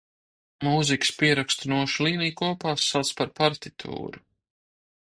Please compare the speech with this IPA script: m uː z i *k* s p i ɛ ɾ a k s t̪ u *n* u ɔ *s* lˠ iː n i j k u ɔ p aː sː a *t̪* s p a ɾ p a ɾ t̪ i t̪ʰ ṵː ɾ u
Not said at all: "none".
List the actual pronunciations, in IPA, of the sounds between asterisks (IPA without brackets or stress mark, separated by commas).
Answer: k, n, ʃ, t̪